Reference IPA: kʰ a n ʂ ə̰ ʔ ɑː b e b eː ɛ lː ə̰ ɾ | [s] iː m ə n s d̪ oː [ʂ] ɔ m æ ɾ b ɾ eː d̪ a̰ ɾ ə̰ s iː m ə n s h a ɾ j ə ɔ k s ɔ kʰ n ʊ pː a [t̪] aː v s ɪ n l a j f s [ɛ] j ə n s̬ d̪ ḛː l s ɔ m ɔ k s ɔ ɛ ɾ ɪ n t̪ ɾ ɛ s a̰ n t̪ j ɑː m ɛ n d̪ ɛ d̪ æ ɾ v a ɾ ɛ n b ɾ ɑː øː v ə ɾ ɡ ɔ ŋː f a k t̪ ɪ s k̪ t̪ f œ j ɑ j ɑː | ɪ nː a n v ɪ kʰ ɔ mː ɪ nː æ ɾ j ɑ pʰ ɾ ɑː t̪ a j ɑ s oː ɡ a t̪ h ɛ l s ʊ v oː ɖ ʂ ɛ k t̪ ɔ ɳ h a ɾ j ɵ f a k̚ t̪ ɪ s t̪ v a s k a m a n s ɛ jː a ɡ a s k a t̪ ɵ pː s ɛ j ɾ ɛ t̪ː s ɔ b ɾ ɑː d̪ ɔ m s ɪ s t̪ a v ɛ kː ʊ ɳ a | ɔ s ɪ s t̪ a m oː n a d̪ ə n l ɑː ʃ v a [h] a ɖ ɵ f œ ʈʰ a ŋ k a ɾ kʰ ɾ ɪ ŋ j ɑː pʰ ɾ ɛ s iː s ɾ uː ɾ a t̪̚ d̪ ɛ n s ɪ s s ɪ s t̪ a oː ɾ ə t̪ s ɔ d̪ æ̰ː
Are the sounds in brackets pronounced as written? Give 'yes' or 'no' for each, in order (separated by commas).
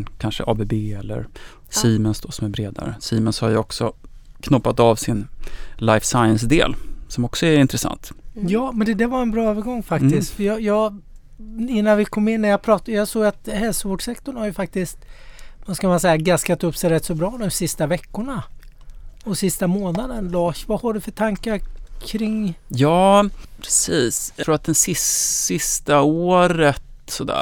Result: yes, no, yes, no, yes